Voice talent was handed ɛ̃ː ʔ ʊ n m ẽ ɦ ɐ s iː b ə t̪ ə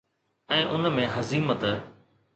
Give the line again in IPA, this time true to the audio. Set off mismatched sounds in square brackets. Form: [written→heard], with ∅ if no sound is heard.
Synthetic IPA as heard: ɛ̃ː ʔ ʊ n m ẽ ɦ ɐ [s→z] iː [b→m] ə t̪ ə